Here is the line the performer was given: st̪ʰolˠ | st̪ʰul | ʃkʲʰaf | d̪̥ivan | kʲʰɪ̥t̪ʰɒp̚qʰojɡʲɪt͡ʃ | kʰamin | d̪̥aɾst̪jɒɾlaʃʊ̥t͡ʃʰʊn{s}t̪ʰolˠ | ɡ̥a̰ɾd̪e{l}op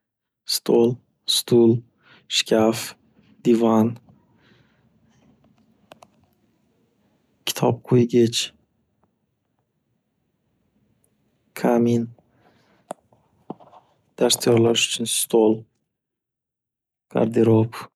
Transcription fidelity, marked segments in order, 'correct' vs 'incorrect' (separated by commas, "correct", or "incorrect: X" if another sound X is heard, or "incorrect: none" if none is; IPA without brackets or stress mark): correct, incorrect: ɾ